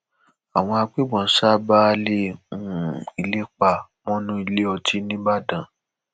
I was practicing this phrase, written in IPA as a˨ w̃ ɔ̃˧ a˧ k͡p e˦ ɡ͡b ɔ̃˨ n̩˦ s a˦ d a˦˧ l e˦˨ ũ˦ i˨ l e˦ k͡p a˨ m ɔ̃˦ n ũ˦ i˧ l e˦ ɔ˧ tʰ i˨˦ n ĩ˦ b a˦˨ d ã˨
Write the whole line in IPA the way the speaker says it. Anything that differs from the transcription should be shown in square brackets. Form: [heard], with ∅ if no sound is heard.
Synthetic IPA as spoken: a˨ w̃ ɔ̃˧ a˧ k͡p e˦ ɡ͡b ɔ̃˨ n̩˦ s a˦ [b] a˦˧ l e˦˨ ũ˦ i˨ l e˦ k͡p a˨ m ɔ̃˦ n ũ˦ i˧ l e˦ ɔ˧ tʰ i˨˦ n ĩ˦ b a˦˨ d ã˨